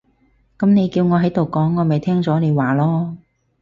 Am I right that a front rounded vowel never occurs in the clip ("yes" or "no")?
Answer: yes